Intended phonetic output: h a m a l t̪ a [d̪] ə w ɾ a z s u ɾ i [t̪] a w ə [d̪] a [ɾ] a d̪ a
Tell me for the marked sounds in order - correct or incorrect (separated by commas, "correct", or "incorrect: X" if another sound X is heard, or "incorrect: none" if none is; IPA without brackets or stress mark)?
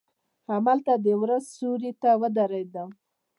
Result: correct, correct, correct, correct